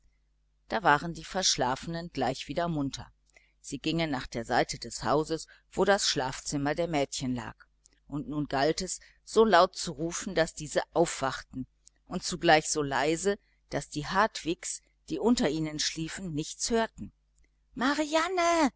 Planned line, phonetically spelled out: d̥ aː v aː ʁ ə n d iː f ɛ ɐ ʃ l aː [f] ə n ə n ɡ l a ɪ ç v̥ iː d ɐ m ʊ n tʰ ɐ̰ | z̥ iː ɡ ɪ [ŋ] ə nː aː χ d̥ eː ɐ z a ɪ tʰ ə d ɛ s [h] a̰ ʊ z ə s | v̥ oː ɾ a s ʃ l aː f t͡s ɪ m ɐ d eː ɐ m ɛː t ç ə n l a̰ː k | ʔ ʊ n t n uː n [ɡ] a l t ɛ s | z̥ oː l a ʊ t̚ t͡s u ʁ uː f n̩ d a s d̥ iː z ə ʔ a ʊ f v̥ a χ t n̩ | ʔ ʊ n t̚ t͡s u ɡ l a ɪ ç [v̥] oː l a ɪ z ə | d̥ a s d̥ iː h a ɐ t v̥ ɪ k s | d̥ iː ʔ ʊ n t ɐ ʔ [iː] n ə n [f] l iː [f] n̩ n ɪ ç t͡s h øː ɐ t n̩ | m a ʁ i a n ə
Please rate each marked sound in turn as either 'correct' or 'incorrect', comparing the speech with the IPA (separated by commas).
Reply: correct, correct, correct, correct, incorrect, correct, incorrect, correct